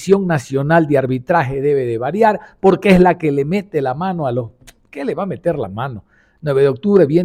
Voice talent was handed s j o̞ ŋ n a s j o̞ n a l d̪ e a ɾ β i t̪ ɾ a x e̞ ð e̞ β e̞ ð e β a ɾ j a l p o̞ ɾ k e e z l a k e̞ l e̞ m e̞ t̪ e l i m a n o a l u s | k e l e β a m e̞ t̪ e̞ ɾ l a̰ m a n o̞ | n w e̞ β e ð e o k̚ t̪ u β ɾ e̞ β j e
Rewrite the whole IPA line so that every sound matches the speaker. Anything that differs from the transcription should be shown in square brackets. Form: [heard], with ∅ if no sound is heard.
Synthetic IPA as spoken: s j o̞ ŋ n a s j o̞ n a l d̪ e a ɾ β i t̪ ɾ a x e̞ ð e̞ β e̞ ð e β a ɾ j a [ɾ] p o̞ ɾ k e e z l a k e̞ l e̞ m e̞ t̪ e l [a] m a n o a l [o] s | k e l e β a m e̞ t̪ e̞ ɾ l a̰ m a n o̞ | n w e̞ β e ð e o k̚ t̪ u β ɾ e̞ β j e